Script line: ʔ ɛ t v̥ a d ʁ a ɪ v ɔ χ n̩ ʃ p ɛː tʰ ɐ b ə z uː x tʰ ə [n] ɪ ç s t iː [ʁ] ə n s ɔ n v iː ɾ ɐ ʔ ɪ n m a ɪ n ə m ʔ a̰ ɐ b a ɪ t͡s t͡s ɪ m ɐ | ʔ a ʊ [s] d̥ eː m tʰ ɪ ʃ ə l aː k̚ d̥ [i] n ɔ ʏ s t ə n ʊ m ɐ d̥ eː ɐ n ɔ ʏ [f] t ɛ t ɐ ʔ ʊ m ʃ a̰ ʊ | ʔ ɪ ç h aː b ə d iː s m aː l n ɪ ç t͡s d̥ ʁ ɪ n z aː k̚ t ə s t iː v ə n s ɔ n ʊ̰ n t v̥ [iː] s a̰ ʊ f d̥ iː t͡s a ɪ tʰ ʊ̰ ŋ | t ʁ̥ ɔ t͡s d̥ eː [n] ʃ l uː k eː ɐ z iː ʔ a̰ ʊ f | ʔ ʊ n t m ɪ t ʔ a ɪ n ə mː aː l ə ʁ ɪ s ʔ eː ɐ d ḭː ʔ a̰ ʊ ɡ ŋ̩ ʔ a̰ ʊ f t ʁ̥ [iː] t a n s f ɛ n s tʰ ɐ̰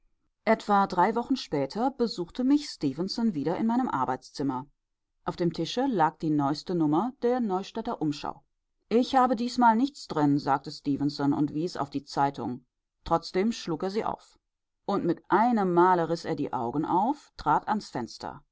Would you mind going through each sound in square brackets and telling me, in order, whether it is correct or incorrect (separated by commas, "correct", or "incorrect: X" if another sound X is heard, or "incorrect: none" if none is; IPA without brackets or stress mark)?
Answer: incorrect: m, incorrect: v, incorrect: f, incorrect: iː, incorrect: ʃ, correct, incorrect: m, incorrect: aː